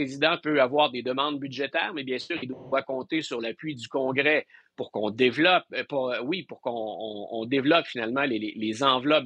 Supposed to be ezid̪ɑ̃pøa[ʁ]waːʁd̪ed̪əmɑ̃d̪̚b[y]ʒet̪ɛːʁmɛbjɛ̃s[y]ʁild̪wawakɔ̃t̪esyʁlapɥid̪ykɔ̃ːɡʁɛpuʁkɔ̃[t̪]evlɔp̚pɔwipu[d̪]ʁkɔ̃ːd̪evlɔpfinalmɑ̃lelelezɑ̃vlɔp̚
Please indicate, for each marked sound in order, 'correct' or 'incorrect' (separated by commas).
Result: incorrect, correct, incorrect, incorrect, incorrect